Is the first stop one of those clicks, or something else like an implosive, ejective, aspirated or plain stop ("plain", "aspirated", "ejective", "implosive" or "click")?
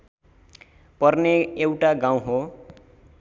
plain